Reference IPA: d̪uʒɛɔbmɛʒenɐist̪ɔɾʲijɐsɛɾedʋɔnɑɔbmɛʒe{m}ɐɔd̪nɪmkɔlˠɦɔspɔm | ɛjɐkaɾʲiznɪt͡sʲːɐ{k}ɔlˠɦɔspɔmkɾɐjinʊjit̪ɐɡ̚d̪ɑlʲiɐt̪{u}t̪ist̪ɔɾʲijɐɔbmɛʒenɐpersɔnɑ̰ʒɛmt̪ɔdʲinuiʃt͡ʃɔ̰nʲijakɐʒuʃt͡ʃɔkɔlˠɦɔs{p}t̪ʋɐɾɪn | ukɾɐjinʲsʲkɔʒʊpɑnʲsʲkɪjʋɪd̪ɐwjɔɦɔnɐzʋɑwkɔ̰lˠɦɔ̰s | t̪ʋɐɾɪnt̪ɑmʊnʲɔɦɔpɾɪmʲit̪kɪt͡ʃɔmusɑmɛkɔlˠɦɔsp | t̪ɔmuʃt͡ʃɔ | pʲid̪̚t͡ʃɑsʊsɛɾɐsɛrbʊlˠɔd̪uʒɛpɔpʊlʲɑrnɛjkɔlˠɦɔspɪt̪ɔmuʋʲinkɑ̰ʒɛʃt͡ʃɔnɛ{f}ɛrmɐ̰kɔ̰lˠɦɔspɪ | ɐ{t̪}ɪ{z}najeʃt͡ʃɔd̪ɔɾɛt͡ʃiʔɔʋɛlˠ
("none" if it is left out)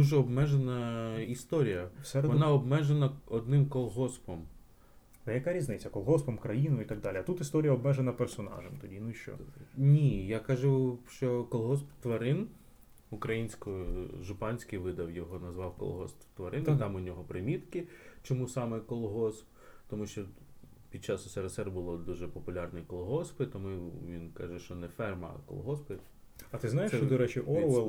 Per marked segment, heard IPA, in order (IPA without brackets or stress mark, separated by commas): n, k, u, p, f, t̪, z